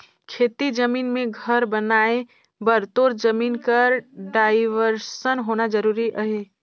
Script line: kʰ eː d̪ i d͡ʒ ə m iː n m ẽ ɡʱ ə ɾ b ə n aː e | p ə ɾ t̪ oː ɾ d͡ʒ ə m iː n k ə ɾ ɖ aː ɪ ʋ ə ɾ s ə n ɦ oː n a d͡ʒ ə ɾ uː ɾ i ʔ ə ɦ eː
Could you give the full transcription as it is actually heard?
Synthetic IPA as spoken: kʰ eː t̪ i d͡ʒ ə m iː n m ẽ ɡʱ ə ɾ b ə n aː e | b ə ɾ t̪ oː ɾ d͡ʒ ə m iː n k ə ɾ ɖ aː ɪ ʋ ə ɾ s ə n ɦ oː n a d͡ʒ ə ɾ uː ɾ i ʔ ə ɦ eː